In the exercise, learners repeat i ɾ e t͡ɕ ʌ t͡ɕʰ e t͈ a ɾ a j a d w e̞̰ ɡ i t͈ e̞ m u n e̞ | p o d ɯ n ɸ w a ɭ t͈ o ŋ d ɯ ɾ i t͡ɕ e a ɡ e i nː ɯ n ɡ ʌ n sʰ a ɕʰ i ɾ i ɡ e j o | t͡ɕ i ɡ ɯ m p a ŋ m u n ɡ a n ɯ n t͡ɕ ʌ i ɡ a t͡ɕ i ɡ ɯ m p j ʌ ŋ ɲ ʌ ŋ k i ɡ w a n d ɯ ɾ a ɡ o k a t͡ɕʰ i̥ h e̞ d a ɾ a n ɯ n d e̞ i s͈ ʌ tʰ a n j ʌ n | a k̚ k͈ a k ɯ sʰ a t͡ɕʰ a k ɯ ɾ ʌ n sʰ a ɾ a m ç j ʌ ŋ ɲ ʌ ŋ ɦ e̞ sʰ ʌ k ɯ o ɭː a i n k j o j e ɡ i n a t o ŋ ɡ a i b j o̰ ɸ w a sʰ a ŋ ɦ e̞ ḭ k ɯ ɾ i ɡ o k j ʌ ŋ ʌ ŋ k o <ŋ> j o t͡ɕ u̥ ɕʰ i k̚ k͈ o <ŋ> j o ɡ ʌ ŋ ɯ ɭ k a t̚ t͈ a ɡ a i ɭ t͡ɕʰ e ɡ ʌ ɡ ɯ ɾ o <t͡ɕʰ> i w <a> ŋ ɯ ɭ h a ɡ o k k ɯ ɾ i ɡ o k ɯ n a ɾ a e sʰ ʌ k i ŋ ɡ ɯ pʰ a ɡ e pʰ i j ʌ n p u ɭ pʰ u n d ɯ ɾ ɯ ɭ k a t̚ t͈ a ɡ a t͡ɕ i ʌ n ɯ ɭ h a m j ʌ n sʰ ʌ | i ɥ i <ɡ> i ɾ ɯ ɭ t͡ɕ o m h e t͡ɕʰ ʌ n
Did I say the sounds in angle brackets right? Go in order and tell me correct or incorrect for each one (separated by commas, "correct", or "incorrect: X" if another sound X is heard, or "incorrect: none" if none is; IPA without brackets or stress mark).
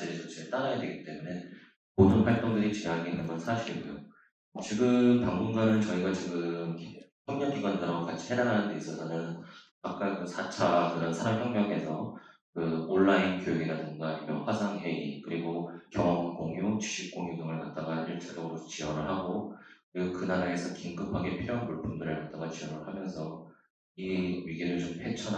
correct, correct, incorrect: t͡ɕ, incorrect: ʌ, correct